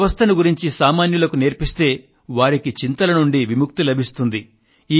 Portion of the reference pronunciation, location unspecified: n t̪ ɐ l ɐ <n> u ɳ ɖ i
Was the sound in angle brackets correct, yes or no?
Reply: yes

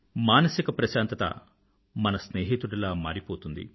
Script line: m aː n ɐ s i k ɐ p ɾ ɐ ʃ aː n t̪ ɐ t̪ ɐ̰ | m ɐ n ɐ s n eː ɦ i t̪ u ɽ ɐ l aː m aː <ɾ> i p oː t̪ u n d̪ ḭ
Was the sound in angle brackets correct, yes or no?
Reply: yes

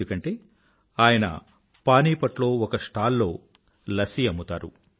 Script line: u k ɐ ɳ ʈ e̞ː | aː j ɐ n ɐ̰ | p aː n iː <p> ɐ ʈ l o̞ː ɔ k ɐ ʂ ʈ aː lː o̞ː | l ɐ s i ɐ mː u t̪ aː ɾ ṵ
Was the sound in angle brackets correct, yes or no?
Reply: yes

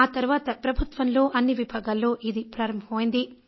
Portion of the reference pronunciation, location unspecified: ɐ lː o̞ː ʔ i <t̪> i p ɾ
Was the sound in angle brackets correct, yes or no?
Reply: no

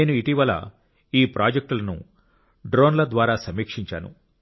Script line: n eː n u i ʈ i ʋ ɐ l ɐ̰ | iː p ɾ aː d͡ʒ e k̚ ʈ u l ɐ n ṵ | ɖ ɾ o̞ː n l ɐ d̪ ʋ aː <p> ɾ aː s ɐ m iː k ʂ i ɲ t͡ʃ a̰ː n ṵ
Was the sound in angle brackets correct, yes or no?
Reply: no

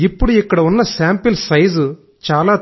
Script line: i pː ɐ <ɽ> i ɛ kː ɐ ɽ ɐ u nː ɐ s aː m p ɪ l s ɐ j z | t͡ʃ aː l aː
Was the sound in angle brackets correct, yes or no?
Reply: yes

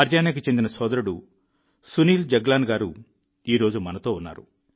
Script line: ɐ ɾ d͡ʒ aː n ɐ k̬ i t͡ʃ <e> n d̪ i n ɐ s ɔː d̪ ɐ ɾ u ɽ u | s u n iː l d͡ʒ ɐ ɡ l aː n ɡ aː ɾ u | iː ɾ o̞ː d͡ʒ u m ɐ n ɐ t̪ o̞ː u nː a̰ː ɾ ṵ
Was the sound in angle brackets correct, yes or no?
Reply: yes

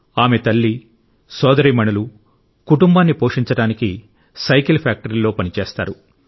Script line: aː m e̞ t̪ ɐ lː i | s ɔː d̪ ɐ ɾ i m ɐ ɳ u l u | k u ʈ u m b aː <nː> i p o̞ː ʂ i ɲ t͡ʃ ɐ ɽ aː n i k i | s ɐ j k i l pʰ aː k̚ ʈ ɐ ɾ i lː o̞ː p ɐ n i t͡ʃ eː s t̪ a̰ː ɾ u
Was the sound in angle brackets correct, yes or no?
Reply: yes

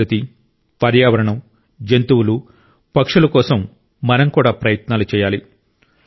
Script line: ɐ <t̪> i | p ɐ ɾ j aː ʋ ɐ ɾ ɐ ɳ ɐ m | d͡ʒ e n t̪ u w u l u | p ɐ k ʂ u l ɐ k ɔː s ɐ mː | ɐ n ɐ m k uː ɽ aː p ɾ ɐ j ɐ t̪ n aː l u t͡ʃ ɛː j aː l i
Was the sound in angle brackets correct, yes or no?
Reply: yes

